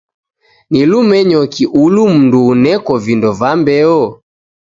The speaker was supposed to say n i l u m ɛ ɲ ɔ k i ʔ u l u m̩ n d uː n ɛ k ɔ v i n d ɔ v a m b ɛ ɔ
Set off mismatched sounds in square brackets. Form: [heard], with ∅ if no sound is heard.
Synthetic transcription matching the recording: n i l u m ɛ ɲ ɔ k i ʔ u l u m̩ n d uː n ɛ k ɔ v i n d ɔ v a m b ɛ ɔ